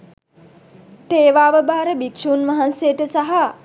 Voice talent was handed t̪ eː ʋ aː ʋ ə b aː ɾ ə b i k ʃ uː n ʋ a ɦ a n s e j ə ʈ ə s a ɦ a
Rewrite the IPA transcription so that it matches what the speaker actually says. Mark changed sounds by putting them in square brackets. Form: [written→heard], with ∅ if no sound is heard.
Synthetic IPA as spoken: t̪ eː ʋ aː ʋ ə b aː ɾ ə b i k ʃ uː n ʋ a ɦ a n s e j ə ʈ ə s a ɦ a